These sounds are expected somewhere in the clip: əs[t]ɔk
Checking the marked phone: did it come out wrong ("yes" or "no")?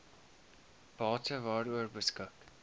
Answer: yes